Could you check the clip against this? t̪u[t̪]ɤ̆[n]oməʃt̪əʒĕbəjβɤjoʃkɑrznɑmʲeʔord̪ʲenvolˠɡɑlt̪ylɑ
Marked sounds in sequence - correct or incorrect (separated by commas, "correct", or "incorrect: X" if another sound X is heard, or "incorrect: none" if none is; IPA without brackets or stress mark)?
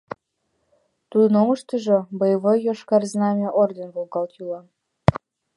incorrect: d̪, correct